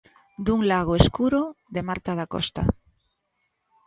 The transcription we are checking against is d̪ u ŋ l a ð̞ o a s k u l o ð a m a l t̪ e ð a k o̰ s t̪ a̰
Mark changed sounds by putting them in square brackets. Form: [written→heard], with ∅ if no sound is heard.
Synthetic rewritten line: d̪ u ŋ l a [ð̞→ɣ̞] o [a→e] s k u [l→ɾ] o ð [a→e] m a [l→ɾ] t̪ [e→a] ð a k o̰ s t̪ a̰